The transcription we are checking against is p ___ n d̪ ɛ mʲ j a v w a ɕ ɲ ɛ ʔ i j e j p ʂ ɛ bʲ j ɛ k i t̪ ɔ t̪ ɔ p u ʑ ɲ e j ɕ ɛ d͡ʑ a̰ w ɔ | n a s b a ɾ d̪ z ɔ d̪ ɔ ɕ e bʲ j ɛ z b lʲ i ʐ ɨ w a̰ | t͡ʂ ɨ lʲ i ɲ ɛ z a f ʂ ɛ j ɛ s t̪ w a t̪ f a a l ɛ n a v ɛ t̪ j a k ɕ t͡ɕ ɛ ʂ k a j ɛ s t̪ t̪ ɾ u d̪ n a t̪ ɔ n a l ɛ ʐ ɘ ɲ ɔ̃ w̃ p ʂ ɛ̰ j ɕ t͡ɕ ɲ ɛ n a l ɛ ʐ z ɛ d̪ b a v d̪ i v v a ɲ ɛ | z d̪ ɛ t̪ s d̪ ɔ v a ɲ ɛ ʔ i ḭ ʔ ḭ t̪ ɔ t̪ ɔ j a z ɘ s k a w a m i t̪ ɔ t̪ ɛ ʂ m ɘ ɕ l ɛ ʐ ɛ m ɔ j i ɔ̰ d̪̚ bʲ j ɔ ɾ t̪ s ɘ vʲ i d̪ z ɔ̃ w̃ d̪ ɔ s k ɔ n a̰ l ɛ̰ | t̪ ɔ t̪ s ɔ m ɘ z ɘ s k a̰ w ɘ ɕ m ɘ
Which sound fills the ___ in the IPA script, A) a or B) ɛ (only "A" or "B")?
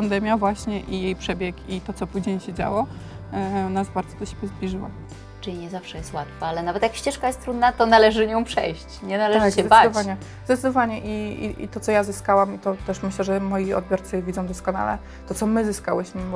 A